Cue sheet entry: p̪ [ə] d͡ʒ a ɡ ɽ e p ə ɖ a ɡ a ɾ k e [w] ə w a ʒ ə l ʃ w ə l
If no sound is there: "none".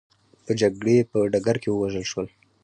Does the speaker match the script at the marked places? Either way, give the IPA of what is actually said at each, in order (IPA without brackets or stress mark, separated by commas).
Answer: ə, w